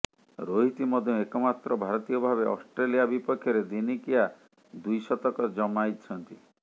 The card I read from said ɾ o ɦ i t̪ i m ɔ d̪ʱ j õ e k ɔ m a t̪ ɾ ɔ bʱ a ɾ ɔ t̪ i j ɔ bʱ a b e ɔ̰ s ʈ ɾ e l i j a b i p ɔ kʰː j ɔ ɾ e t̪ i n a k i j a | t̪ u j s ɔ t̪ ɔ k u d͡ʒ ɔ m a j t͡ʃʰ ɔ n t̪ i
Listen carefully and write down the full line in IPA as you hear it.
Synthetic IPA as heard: ɾ o ɦ i t̪ i m ɔ d̪ʱ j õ e k ɔ m a t̪ ɾ ɔ bʱ a ɾ ɔ t̪ i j ɔ bʱ a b e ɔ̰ s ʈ ɾ e l i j a b i p ɔ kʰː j ɔ ɾ e d̪ i n i k i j a | d̪ u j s ɔ t̪ ɔ k ɔ d͡ʒ ɔ m a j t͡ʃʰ ɔ n t̪ i

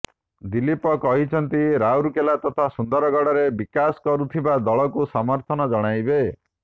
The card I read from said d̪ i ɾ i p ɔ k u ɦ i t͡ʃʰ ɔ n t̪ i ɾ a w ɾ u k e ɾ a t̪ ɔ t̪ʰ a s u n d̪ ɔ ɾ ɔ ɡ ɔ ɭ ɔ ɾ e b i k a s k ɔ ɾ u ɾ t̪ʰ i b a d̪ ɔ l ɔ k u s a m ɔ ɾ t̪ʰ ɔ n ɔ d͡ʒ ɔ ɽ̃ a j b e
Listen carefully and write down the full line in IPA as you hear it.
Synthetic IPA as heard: d̪ i l i p ɔ k ɔ ɦ i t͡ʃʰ ɔ n t̪ i ɾ a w ɾ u k e l a t̪ ɔ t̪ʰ a s u n d̪ ɔ ɾ ɔ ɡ ɔ ɽ ɔ ɾ e b i k a s k ɔ ɾ u t̪ʰ i b a d̪ ɔ ɭ ɔ k u s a m ɔ ɾ t̪ʰ ɔ n ɔ d͡ʒ ɔ ɽ̃ a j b e

